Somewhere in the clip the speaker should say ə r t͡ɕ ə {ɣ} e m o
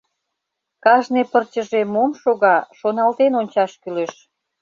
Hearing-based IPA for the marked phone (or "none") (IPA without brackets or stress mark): ʒ